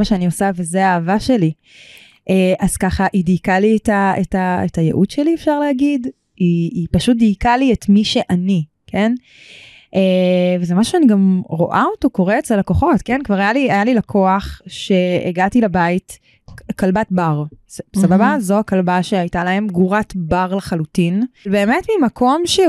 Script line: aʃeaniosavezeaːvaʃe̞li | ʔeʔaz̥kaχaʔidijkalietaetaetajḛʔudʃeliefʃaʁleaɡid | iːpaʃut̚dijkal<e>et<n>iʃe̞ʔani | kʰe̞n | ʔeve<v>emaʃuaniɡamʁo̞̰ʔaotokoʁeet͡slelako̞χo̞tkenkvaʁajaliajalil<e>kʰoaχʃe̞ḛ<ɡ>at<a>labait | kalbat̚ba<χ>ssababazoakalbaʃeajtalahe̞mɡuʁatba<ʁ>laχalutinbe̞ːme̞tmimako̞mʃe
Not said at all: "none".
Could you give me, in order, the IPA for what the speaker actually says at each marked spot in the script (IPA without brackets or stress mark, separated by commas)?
i, m, z, a, ɡ, i, ʁ, ʁ